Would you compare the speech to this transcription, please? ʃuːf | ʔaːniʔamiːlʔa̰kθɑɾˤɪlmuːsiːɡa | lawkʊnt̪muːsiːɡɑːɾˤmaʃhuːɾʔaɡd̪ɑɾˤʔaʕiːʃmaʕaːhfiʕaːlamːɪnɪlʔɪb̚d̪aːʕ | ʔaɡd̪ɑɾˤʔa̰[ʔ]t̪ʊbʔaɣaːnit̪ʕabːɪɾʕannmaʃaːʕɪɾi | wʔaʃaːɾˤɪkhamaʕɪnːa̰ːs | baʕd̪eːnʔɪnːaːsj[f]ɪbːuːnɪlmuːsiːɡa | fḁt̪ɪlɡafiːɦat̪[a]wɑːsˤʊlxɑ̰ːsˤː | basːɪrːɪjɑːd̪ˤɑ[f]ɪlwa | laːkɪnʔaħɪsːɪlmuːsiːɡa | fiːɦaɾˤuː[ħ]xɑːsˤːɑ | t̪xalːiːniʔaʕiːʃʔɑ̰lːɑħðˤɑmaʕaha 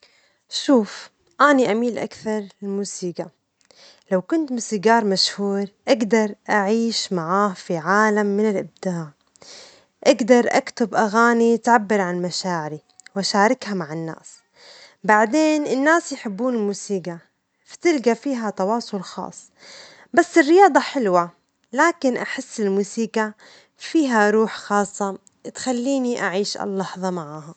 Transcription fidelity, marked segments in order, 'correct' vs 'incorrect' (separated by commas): incorrect, incorrect, incorrect, incorrect, correct